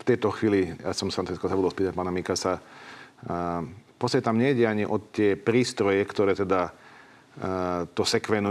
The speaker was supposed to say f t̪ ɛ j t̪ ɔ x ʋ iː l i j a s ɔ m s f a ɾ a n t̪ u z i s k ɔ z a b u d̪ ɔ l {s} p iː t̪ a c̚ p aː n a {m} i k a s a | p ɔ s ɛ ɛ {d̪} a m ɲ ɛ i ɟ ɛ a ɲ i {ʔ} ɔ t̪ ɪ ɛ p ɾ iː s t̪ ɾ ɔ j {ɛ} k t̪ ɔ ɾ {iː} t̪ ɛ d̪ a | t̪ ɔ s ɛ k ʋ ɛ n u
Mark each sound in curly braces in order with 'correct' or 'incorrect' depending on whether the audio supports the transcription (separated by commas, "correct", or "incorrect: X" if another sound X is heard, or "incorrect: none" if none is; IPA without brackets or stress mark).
correct, correct, incorrect: t̪, correct, correct, incorrect: ɛː